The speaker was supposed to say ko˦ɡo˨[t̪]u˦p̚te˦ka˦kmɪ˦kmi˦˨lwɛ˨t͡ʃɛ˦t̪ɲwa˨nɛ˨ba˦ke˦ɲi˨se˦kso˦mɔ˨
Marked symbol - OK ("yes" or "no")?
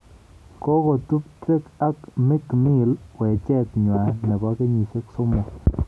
yes